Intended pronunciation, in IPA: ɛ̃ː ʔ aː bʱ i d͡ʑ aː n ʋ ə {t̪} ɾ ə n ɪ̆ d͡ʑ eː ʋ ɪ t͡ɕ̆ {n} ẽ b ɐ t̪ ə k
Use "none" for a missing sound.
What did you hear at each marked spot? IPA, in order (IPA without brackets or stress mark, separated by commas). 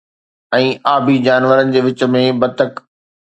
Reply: none, m